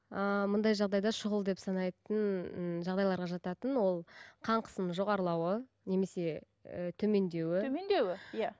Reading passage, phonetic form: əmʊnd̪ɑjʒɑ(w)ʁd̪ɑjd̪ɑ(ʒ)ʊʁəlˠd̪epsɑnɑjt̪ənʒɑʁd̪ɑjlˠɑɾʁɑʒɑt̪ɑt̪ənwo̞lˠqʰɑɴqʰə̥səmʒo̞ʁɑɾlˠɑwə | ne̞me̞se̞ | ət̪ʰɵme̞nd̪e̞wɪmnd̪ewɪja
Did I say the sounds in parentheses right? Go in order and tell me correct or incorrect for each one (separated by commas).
incorrect, incorrect